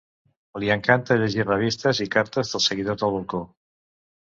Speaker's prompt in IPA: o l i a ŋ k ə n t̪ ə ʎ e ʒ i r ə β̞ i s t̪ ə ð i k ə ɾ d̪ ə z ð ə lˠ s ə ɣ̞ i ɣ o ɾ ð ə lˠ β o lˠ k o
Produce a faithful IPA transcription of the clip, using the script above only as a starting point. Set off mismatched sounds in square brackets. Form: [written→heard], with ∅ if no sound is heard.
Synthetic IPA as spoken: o l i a ŋ k [ə→a] n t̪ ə ʎ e ʒ i r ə β̞ i s t̪ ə [ð→z] i k [ə→a] ɾ [d̪→t̪] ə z ð ə lˠ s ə ɣ̞ i [ɣ→ð] o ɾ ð ə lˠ β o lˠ k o